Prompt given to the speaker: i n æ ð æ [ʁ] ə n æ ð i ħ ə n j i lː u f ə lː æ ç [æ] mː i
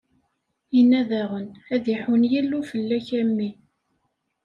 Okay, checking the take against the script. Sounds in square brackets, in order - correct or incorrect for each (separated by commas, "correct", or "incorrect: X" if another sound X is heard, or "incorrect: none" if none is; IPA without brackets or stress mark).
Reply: correct, correct